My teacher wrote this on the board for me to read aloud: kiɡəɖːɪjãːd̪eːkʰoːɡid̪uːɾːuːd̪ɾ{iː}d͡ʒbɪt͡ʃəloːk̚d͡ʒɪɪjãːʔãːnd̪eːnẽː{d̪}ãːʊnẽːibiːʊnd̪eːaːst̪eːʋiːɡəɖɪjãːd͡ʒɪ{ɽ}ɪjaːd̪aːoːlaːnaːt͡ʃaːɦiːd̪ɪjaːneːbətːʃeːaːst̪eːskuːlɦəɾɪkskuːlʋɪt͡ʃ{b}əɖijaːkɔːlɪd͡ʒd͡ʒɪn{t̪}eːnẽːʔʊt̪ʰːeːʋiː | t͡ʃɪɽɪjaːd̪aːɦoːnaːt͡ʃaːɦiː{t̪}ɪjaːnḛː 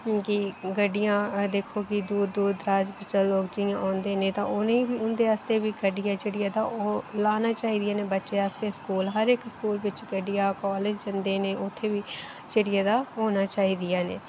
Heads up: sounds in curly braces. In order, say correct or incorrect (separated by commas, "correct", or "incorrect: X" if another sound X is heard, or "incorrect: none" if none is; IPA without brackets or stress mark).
incorrect: aː, incorrect: t̪, correct, incorrect: ɡ, incorrect: d̪, incorrect: d̪